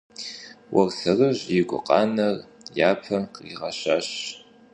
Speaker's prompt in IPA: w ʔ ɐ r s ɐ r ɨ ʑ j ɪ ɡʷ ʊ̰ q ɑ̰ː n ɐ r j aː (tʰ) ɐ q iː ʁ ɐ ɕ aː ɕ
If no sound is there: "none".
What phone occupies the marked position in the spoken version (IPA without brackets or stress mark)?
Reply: pʰ